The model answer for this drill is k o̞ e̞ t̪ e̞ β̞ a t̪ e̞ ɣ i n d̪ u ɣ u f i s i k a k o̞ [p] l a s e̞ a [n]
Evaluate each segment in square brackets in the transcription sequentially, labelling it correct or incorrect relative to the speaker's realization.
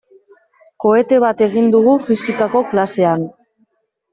incorrect, correct

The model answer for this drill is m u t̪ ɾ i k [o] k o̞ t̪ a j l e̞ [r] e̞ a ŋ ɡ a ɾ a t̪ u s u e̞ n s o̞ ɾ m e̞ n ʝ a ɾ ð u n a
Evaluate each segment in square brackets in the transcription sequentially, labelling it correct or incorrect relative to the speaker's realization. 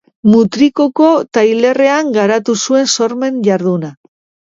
correct, correct

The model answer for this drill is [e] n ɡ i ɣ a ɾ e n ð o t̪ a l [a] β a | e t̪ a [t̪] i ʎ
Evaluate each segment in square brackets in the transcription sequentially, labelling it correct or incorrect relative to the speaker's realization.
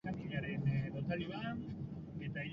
incorrect, incorrect, incorrect

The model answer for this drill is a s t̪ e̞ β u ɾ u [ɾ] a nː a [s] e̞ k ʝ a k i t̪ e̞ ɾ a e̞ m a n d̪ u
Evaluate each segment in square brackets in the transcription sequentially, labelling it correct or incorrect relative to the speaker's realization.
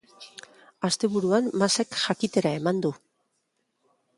incorrect, correct

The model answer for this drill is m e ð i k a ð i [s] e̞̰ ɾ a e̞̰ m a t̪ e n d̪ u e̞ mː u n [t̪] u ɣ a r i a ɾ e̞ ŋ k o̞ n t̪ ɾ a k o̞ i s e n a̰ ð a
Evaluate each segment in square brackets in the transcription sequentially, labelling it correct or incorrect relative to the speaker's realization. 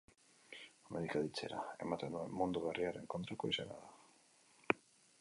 incorrect, incorrect

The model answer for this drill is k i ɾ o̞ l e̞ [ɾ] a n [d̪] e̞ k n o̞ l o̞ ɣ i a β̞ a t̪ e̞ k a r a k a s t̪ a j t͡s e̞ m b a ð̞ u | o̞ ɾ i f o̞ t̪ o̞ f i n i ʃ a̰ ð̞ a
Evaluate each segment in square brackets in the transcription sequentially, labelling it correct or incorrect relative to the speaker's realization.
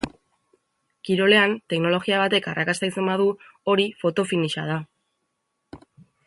incorrect, incorrect

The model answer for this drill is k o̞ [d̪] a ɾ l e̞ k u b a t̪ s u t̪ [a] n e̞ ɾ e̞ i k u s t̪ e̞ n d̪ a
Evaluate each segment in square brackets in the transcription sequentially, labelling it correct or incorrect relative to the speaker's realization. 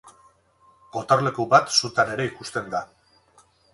incorrect, correct

